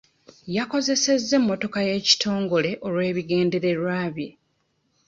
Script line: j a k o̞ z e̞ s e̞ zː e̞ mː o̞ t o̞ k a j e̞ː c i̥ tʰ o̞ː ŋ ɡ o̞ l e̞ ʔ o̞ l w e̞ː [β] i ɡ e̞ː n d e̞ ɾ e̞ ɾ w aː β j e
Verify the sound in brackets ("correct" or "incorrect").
correct